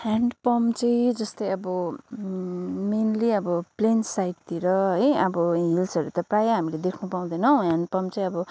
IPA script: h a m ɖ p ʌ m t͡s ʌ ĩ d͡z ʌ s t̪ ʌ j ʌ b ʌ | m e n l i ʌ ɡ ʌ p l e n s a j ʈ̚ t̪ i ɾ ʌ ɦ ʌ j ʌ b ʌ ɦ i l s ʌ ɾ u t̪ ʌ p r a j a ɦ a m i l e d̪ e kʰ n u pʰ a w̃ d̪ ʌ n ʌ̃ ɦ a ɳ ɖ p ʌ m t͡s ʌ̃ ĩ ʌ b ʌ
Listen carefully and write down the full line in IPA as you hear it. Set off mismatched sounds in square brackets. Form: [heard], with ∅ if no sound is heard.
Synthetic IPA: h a [ɳ] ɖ p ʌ m t͡s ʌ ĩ d͡z ʌ s t̪ ʌ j ʌ b ʌ | m e n l i ʌ [b] ʌ p l e n s a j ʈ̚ t̪ i ɾ ʌ ɦ ʌ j ʌ b ʌ ɦ i l s ʌ ɾ u t̪ ʌ p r a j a ɦ a m i l e d̪ e kʰ n u [p] a w̃ d̪ ʌ n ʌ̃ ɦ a ɳ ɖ p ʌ m t͡s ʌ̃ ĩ ʌ b ʌ